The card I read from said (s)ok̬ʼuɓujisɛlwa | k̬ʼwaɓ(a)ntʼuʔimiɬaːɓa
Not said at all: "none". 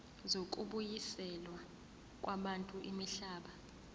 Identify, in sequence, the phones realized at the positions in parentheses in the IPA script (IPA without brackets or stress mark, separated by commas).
z, a